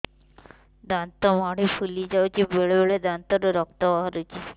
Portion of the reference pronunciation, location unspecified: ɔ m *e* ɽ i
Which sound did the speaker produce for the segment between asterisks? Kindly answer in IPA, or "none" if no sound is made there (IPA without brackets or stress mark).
a